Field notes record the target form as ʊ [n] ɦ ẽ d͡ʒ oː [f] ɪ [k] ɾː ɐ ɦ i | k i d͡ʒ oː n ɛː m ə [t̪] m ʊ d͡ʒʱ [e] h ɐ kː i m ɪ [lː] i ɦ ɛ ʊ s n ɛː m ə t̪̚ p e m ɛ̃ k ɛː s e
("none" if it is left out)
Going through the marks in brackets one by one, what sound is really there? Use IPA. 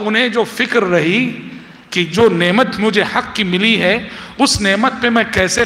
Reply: n, f, k, t̪, e, l

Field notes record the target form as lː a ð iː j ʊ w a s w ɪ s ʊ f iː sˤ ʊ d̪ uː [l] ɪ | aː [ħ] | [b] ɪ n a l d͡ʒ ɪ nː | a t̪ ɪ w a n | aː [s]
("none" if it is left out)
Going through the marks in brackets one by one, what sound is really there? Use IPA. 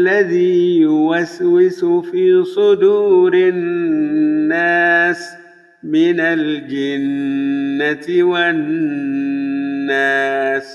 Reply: ɾ, s, m, s

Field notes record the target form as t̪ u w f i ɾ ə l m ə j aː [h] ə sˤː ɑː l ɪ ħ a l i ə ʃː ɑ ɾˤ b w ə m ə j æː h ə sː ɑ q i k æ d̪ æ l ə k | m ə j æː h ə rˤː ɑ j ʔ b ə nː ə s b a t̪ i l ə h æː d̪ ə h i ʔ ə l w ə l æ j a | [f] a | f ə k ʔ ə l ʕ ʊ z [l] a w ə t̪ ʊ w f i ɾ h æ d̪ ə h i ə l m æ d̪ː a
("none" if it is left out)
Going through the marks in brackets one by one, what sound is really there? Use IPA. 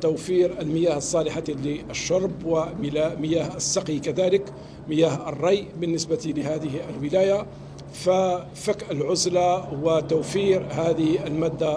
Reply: h, f, l

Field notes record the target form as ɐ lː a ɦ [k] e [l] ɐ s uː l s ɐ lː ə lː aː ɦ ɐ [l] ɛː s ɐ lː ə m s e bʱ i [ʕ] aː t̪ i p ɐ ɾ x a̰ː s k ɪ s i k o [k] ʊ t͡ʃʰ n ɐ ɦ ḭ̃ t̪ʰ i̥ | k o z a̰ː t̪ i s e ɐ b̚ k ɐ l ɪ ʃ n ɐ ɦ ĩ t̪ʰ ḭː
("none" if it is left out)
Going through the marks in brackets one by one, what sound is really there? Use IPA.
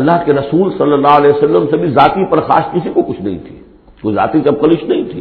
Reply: k, ɾ, l, z, k

